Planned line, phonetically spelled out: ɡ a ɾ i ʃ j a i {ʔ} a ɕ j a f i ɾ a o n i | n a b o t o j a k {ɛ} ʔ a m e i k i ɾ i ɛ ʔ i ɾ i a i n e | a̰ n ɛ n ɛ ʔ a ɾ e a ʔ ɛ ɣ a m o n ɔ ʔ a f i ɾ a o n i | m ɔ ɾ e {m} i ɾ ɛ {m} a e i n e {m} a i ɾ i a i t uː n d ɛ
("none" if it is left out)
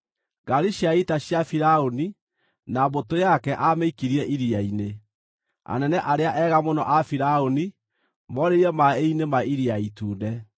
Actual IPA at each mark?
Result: t, ɛ, none, m, m

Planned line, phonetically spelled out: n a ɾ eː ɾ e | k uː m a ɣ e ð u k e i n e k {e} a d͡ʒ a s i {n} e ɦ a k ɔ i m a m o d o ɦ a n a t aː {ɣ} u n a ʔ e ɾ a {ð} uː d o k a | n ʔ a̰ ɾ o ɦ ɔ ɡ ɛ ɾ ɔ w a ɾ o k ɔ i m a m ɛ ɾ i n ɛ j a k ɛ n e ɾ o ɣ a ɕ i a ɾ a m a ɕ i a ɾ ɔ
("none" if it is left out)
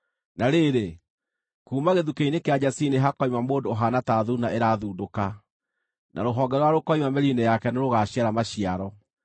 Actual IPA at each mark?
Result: e, n, ð, ð

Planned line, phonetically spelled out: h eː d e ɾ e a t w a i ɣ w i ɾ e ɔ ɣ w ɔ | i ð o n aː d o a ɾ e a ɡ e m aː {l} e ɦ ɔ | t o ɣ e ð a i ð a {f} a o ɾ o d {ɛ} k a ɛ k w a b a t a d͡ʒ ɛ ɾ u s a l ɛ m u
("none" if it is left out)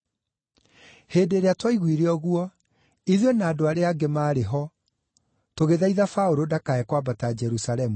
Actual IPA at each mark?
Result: ɾ, f, a

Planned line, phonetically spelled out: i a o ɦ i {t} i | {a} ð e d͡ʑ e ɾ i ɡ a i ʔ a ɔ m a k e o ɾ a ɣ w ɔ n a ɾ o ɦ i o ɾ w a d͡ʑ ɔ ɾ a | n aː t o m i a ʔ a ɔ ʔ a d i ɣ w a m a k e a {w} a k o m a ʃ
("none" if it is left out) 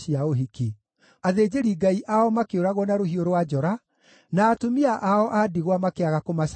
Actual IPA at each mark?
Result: k, a, ɣ

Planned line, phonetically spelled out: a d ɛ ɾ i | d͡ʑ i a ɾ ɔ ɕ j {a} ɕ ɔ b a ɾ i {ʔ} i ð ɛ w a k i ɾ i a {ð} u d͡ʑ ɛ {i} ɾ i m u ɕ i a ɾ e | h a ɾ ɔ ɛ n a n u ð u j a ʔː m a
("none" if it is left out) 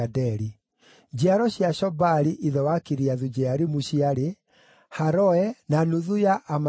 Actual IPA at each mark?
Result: a, ʔ, ð, a

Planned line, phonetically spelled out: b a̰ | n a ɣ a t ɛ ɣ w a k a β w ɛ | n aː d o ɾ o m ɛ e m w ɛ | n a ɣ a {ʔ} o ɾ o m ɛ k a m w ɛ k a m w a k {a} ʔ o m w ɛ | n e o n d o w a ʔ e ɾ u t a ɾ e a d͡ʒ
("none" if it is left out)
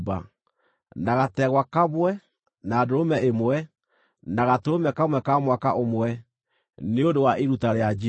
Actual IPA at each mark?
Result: t, a

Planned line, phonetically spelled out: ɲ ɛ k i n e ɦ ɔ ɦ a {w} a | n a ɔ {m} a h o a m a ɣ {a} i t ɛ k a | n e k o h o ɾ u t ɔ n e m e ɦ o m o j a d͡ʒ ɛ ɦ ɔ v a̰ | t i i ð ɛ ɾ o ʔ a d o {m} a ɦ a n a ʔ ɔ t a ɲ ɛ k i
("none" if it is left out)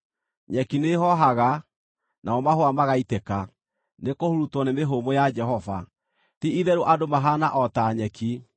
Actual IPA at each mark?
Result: ɣ, m, a, m

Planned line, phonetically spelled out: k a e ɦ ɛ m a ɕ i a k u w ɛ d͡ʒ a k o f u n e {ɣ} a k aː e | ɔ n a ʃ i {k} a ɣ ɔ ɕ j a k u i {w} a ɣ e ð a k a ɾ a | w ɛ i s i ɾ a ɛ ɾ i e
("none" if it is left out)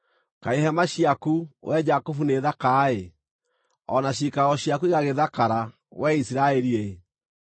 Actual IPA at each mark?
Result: ð, k, ɣ

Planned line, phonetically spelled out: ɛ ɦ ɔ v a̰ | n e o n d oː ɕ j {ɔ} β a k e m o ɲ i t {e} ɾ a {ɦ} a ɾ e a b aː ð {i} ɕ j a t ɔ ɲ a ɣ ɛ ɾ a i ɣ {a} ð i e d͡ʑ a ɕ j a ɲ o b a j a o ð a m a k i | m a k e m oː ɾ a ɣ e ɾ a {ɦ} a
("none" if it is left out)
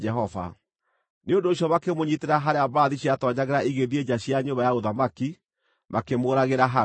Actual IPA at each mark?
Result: ɔ, e, ɦ, i, e, ɦ

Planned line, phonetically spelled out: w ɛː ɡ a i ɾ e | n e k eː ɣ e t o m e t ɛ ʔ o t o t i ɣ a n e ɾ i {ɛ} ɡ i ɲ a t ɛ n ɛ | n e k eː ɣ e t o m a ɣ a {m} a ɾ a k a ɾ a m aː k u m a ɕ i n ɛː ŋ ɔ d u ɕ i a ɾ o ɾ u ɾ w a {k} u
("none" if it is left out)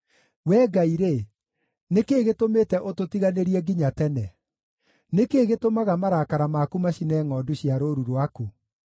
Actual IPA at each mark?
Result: ɛ, m, k

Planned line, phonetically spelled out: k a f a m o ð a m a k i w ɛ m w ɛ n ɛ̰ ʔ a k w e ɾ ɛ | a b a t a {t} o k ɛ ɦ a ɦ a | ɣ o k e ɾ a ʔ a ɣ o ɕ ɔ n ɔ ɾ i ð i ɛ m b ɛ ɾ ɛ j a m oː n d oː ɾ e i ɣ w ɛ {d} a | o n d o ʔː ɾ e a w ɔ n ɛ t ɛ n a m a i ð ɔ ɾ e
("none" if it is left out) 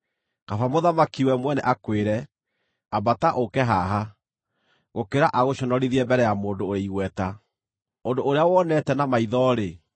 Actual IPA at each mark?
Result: ʔ, t

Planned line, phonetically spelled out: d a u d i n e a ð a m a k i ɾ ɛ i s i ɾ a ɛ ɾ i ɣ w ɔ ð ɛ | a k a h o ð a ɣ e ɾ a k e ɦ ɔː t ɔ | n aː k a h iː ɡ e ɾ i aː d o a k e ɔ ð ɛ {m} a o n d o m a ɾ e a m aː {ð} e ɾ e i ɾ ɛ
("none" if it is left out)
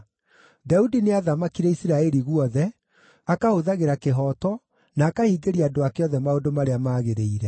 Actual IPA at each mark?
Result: m, ɣ

